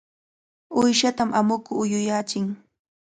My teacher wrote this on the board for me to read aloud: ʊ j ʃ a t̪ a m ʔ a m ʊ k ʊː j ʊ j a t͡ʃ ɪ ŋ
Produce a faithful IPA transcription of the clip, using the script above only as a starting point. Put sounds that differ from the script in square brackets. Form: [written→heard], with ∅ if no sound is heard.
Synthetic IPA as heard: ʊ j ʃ a t̪ a m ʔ a m ʊ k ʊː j ʊ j a t͡ʃ ɪ ŋ